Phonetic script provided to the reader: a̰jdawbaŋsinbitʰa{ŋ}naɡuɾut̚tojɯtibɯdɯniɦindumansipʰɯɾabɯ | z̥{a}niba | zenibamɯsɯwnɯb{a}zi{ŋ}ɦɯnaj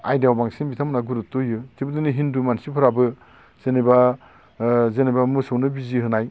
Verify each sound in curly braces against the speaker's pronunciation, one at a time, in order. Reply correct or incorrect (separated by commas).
incorrect, incorrect, incorrect, incorrect